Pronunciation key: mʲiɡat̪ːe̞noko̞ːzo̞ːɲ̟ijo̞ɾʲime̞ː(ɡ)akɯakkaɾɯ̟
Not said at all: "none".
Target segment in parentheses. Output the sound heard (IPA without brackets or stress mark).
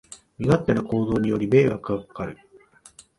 ɡ